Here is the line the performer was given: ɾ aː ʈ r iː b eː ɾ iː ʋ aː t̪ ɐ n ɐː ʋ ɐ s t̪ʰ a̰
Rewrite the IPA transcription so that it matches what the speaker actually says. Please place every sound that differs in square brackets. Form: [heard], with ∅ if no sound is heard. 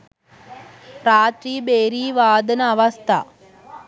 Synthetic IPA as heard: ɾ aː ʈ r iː b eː ɾ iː ʋ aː [d̪] ɐ n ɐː ʋ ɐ s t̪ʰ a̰